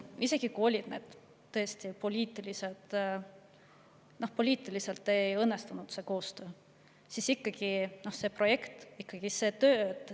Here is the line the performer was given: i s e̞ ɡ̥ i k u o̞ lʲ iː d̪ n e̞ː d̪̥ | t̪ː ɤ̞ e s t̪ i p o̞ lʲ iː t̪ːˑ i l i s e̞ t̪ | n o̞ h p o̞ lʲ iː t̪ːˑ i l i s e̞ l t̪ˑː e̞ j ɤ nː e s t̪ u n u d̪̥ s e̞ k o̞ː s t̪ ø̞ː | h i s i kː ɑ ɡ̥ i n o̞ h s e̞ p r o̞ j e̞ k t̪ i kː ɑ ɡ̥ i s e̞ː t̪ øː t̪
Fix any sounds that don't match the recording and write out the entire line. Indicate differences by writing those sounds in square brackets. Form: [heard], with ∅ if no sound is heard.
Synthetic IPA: i s e̞ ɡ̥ i k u o̞ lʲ [i] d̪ n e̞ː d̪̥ | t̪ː ɤ̞ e s t̪ i p o̞ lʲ iː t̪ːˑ i l i s e̞ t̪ | n o̞ h p o̞ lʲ iː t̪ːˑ i l i s e̞ l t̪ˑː e̞ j ɤ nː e s t̪ u n u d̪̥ s e̞ k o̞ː s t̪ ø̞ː | [s] i s i kː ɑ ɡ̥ i n o̞ h s e̞ p r o̞ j e̞ k t̪ i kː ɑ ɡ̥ i s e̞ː t̪ øː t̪